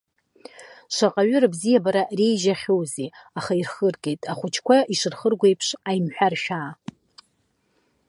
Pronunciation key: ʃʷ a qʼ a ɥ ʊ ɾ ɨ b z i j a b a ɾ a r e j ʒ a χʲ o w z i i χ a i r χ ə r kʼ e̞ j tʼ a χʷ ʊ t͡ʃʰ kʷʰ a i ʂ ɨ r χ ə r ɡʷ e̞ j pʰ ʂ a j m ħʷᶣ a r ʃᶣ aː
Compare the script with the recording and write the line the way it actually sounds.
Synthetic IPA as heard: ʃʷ a qʼ a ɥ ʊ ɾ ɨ b z i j a b a ɾ a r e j ʒ a χʲ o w z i a χ a i r χ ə r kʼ e̞ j tʼ a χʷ ʊ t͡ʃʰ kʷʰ a i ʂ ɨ r χ ə r ɡʷ e̞ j pʰ ʂ a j m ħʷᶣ a r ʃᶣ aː